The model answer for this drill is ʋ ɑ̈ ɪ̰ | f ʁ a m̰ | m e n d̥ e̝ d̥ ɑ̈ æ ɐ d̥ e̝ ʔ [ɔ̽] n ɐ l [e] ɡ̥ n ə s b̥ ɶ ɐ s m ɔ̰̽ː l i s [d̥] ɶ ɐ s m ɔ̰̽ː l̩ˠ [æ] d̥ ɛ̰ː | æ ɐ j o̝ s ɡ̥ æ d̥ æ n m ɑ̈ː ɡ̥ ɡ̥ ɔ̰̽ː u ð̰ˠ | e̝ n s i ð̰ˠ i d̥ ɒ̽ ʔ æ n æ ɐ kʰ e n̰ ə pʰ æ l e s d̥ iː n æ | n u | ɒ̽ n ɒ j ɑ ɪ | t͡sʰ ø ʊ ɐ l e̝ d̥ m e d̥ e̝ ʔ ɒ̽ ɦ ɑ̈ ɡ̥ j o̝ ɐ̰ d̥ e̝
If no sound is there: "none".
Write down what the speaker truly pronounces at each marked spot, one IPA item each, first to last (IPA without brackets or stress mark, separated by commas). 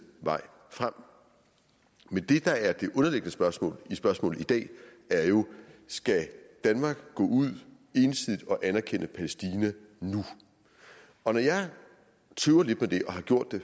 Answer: ɔ̽, e, b̥, i